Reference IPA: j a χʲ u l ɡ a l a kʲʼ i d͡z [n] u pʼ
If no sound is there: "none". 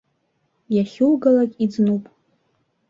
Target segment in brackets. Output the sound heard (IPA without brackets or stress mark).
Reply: n